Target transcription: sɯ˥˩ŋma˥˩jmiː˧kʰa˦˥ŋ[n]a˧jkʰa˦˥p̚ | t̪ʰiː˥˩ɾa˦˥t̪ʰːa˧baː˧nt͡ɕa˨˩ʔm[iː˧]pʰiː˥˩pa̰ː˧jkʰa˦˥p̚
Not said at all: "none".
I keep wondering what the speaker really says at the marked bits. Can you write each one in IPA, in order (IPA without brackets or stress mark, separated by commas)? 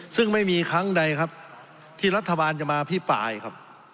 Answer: d, aː˧